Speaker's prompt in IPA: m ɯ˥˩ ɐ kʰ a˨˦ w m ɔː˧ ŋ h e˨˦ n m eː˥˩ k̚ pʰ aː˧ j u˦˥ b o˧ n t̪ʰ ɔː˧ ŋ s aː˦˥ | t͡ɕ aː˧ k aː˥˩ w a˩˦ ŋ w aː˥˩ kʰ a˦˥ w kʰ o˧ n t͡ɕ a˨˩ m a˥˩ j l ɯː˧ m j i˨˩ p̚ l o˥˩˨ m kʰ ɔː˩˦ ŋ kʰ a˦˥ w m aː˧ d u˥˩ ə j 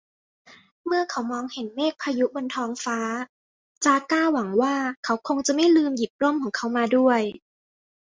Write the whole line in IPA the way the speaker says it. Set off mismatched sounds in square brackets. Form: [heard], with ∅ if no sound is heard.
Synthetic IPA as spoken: m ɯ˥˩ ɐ kʰ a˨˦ w m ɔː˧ ŋ h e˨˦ n m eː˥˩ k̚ pʰ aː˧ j u˦˥ b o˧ n t̪ʰ ɔː˧ ŋ [f] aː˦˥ | t͡ɕ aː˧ k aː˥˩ w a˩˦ ŋ w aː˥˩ kʰ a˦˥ w kʰ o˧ [ŋ] t͡ɕ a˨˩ m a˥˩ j l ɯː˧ m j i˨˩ p̚ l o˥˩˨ m kʰ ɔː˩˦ ŋ kʰ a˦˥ w m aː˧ d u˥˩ ə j